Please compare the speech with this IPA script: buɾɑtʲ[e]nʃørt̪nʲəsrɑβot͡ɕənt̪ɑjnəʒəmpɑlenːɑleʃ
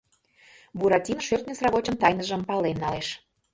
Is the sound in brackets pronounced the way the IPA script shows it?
no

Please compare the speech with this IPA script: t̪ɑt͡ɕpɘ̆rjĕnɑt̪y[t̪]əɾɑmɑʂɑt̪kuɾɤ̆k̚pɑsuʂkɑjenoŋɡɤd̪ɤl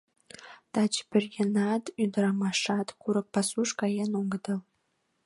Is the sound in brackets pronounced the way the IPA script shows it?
no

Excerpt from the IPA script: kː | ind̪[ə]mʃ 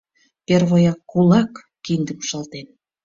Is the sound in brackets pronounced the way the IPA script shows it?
yes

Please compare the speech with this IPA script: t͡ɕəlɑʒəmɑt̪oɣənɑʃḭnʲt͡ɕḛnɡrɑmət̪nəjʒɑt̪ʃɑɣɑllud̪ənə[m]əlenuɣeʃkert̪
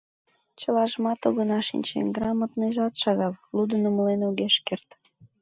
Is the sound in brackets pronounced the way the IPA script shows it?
yes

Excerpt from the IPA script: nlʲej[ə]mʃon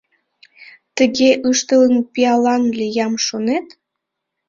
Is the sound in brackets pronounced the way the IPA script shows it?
no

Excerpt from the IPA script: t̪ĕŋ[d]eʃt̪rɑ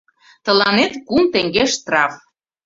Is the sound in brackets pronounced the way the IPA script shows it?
no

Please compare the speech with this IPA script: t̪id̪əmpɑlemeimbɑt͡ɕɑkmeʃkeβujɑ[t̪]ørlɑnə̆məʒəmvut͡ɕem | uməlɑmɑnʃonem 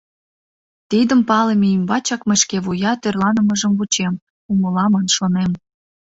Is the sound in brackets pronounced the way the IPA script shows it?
yes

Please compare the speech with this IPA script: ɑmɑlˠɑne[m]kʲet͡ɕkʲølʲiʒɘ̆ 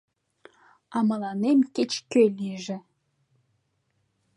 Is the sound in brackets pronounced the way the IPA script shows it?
yes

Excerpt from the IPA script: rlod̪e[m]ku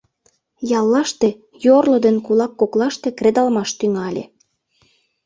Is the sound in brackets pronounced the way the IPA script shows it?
no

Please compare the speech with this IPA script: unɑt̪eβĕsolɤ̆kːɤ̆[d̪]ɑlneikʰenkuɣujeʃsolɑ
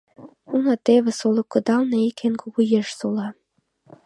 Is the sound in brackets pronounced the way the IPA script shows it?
yes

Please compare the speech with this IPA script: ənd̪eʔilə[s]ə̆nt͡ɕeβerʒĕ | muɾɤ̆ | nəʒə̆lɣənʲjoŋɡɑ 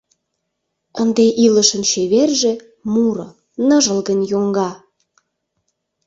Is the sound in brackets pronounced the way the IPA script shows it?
no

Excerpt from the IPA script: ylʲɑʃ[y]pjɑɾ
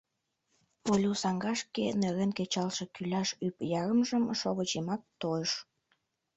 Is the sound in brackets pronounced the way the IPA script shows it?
yes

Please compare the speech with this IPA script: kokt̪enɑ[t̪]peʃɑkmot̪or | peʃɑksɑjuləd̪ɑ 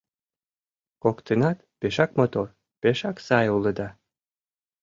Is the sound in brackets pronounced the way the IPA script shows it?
yes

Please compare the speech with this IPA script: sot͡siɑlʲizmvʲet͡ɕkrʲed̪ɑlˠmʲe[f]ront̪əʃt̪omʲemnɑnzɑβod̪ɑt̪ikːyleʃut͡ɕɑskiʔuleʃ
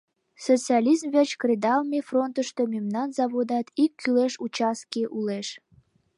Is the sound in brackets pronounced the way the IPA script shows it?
yes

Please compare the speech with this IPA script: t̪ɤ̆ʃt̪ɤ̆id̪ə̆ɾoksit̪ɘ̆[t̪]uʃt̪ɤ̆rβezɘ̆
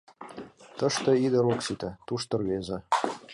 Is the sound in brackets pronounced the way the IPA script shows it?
yes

